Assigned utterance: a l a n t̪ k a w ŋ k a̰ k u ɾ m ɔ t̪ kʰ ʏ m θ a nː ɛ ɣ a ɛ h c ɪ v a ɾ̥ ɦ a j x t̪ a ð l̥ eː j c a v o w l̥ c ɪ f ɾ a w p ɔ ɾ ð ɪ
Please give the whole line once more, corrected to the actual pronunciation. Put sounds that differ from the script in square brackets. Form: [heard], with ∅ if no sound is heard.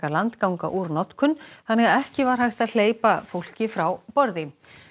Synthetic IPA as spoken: a l a n t̪ k a w ŋ k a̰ [ʔ] u ɾ [n] ɔ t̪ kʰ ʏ [n] θ a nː ɛ ɣ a ɛ h c ɪ v a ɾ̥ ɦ a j x t̪ a ð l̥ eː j [p] a [f] o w l̥ c ɪ f ɾ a w p ɔ ɾ ð ɪ